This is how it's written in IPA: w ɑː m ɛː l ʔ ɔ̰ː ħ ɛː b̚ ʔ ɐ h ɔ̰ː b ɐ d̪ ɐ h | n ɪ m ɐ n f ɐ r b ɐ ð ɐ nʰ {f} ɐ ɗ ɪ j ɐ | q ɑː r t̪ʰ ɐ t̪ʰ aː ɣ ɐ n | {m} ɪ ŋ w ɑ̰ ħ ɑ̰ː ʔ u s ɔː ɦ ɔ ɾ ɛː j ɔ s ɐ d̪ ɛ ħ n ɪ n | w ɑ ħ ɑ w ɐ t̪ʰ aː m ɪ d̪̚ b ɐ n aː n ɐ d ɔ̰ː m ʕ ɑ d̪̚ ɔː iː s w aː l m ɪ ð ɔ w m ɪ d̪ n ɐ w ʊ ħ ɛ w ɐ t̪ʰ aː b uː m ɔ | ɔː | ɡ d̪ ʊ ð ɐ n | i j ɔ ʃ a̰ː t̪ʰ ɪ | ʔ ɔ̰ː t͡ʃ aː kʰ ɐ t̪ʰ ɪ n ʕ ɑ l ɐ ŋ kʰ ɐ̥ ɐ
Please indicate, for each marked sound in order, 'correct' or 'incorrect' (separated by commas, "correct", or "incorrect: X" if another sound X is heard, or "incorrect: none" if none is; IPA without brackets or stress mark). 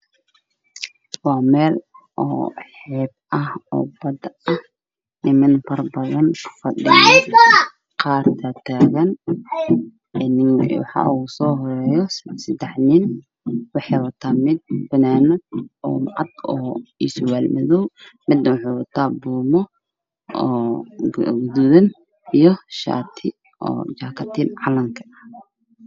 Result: correct, incorrect: n